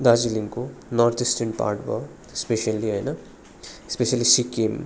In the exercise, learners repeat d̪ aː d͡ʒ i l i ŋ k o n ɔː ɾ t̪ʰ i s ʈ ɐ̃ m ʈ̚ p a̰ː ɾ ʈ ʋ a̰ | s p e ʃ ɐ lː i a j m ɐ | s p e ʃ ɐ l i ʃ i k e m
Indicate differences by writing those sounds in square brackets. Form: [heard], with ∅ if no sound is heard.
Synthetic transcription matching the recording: d̪ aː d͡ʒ i l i ŋ k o n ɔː ɾ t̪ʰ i s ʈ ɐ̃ [ɳ] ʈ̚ p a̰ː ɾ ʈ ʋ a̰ | s p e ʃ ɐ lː i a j [n] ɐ | s p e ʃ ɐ l i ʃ i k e m